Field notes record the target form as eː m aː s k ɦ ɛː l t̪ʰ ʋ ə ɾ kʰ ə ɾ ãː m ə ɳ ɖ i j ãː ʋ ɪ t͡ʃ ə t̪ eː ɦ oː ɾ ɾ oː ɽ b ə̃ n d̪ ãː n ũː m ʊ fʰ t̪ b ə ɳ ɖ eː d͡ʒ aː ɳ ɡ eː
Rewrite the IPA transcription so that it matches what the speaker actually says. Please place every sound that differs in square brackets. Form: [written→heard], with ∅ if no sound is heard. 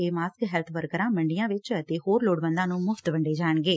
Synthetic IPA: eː m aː s k ɦ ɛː l t̪ʰ ʋ ə ɾ [kʰ→k] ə ɾ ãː m ə ɳ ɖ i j ãː ʋ ɪ t͡ʃ ə t̪ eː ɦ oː ɾ [ɾ→l] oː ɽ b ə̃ n d̪ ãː n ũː m ʊ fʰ t̪ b ə ɳ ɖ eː d͡ʒ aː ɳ ɡ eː